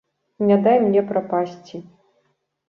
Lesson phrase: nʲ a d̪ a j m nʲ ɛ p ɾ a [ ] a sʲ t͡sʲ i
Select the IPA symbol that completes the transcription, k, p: p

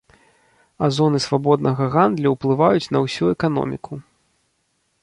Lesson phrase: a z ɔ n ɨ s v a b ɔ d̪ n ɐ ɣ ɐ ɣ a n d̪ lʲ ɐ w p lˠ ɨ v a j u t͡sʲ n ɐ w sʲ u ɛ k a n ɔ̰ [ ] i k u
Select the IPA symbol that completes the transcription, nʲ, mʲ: mʲ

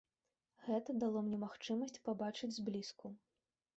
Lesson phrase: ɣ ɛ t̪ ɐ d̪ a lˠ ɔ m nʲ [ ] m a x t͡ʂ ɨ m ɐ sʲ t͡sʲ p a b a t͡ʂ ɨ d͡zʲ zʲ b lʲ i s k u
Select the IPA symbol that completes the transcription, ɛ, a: ɛ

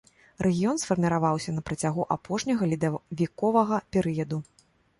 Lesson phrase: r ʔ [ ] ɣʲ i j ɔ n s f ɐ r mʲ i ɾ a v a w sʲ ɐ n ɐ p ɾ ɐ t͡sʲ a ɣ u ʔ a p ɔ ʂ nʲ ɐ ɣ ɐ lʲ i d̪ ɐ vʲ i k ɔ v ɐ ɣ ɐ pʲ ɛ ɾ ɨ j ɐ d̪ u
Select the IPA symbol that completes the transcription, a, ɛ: ɛ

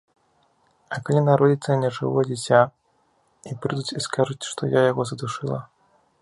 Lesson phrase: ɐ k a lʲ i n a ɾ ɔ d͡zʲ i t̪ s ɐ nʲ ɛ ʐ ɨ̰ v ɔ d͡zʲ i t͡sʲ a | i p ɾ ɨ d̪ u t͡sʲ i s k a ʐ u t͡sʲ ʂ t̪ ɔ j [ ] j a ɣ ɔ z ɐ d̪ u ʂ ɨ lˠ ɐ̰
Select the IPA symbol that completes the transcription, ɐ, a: a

